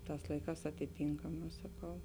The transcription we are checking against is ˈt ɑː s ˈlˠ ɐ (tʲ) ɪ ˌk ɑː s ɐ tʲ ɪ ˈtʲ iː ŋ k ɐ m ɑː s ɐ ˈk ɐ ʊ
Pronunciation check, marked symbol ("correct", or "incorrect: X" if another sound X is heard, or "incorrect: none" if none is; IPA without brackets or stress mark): incorrect: none